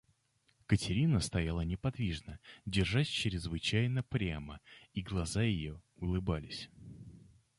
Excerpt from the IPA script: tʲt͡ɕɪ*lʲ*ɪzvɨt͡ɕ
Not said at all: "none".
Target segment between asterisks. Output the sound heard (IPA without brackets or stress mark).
ɾʲ